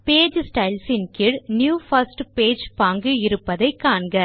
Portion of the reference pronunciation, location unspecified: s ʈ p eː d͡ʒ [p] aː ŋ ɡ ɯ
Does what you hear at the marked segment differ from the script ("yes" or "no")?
no